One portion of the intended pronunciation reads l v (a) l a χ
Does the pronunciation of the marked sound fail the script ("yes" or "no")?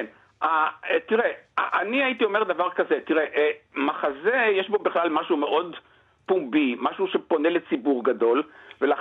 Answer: yes